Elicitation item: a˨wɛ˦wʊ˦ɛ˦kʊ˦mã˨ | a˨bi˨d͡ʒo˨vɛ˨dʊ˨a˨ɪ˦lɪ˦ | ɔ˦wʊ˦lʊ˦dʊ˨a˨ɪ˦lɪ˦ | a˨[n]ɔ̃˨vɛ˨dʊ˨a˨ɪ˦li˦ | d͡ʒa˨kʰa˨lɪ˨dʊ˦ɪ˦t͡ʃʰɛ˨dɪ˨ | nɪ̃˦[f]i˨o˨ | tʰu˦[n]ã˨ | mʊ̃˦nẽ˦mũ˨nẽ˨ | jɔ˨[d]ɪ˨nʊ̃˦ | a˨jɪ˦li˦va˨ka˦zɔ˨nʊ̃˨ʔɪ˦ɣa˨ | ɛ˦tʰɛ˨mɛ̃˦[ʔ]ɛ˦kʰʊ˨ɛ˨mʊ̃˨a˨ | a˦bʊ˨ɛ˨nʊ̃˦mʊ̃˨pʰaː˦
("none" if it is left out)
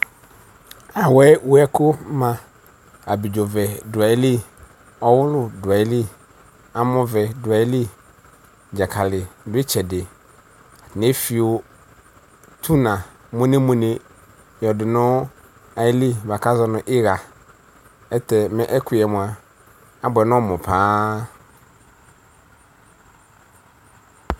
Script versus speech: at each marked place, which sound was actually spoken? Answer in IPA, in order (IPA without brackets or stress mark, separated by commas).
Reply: m, f, n, d, ʔ